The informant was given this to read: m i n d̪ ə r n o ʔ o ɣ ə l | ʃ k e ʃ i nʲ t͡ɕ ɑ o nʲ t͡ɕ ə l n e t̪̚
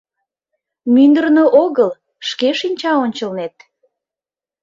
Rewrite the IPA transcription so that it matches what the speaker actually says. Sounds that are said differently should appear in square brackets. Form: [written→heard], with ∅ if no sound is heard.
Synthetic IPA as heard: m [i→y] n d̪ ə r n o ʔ o ɣ ə l | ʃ k e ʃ i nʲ t͡ɕ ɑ o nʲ t͡ɕ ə l n e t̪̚